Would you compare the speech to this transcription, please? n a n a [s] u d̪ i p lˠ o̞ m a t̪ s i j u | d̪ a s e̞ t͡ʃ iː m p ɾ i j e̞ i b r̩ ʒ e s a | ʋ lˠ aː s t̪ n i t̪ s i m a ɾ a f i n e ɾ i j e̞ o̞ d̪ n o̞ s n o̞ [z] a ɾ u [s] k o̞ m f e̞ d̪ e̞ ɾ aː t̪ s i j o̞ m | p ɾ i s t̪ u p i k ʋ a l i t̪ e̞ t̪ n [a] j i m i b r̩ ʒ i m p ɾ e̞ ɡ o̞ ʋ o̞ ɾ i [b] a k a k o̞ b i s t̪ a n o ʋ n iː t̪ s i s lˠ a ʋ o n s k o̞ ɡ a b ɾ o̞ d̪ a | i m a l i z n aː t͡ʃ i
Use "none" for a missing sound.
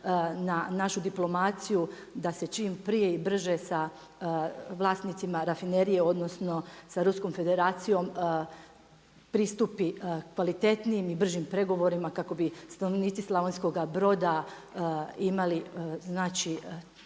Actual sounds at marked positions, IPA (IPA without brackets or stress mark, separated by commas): ʃ, s, s, i, m